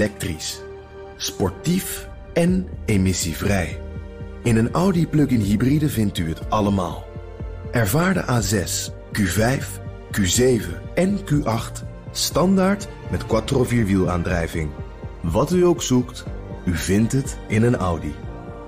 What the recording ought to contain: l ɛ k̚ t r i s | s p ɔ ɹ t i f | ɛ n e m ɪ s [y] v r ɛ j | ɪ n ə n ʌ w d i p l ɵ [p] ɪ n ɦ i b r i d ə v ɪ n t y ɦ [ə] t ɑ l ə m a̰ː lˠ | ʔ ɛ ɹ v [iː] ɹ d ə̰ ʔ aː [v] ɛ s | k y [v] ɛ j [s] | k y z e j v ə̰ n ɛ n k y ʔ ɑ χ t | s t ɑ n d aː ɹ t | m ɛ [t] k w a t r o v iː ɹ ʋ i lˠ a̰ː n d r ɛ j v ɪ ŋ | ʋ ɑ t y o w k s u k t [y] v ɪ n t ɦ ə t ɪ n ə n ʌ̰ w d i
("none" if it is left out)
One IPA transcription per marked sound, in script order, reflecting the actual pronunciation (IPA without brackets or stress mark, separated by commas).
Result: i, k, ə, aː, z, v, f, t, y